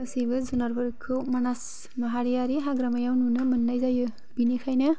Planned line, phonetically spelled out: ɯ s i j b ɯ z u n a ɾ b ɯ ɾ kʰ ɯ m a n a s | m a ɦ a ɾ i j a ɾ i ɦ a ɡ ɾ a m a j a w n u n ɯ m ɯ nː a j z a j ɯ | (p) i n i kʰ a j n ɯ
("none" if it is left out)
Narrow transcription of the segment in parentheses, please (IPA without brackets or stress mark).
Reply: b